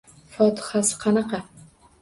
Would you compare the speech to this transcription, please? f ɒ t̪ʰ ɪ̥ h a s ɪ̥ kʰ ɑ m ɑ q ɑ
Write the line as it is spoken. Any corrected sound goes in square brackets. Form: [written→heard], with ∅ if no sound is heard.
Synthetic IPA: f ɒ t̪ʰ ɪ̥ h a s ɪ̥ [kʰ→qʰ] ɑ [m→n] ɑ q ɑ